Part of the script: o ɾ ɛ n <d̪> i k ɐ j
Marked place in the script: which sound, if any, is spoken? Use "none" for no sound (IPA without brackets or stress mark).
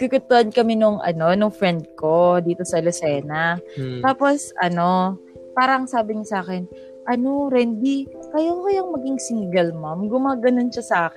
d̪